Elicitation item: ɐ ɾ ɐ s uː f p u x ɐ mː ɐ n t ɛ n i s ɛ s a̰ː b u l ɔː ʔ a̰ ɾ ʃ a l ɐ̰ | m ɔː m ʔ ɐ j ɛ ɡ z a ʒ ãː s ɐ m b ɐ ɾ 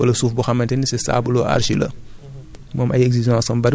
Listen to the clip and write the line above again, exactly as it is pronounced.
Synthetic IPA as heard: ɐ l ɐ s uː f b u x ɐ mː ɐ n t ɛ n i s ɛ s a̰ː b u l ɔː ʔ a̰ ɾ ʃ i l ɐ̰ | m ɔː m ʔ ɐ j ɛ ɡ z i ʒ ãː s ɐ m b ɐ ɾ